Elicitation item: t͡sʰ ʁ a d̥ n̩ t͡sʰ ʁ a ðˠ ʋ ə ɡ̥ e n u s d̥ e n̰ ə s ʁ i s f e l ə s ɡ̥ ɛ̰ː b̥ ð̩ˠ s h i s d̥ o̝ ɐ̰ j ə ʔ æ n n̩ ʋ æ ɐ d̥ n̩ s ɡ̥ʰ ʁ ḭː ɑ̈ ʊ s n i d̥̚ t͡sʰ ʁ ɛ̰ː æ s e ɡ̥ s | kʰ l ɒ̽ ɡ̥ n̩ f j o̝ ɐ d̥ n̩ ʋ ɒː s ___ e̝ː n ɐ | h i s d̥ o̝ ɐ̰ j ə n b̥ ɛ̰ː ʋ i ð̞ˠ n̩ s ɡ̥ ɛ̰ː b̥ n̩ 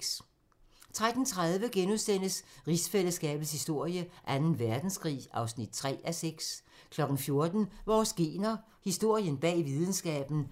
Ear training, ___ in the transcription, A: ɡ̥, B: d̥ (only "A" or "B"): A